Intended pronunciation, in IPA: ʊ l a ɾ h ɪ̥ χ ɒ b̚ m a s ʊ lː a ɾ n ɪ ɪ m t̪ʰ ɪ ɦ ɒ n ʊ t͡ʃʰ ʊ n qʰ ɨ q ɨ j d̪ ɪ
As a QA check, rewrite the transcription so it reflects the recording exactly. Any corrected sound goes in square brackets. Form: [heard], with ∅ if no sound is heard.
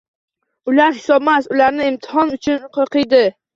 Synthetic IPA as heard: ʊ l a ɾ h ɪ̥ [s] ɒ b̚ m a s ʊ [l] a ɾ n ɪ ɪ m t̪ʰ ɪ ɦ ɒ n ʊ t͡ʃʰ ʊ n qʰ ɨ q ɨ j d̪ ɪ